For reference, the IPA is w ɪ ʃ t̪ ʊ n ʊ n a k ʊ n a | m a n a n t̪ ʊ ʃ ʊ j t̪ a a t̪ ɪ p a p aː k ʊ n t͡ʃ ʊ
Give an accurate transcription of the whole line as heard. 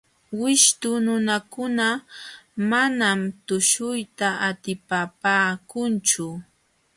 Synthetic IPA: w ɪ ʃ t̪ ʊ n ʊ n a k ʊ n a | m a n a m t̪ ʊ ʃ ʊ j t̪ a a t̪ ɪ p a p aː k ʊ n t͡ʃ ʊ